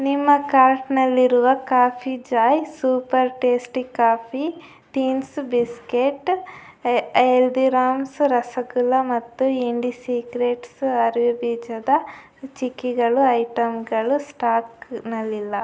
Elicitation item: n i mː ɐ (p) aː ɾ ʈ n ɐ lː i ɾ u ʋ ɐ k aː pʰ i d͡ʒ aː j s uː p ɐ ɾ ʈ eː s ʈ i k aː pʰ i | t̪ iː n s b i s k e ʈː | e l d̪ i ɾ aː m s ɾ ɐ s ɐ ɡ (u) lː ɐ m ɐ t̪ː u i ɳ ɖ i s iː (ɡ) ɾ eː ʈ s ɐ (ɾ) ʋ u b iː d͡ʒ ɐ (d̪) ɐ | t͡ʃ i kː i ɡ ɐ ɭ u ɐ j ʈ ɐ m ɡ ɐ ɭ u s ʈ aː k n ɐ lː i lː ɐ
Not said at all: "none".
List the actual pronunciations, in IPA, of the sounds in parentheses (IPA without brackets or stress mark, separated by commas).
k, u, k, ɾ, d̪